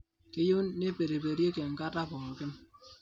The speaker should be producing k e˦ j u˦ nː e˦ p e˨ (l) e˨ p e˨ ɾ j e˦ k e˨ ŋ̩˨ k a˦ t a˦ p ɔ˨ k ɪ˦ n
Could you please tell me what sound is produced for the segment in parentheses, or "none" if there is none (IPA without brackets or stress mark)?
ɾ